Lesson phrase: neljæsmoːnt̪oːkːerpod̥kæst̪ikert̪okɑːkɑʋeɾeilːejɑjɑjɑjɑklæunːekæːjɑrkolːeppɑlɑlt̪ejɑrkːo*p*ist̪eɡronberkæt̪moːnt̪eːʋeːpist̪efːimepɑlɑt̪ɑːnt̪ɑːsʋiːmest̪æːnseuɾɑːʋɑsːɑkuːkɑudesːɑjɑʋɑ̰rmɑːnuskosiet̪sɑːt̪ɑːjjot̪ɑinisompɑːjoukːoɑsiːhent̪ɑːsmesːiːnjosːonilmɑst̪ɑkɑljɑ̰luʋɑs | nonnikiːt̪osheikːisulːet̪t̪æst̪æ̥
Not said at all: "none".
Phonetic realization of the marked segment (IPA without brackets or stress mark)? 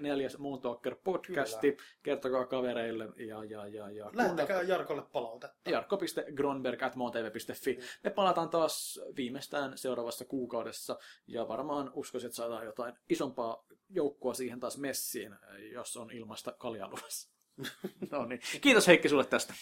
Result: p